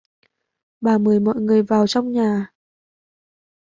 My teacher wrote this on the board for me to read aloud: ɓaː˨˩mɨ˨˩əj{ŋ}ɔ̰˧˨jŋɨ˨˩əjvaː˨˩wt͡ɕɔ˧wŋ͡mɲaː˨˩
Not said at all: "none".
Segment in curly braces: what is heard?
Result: m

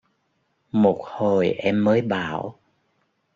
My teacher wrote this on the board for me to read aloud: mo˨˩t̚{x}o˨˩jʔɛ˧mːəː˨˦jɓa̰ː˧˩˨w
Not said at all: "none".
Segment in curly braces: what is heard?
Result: h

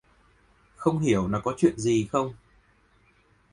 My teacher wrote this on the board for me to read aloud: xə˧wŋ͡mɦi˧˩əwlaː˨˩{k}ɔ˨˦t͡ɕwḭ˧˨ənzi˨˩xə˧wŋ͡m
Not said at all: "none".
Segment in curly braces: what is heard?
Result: k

